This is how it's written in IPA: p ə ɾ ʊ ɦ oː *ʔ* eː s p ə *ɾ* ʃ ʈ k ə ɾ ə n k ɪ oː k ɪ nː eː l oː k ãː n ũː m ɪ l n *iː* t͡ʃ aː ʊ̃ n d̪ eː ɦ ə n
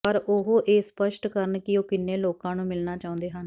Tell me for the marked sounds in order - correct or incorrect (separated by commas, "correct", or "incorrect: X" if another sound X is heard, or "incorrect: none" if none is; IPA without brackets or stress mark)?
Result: correct, incorrect: none, incorrect: aː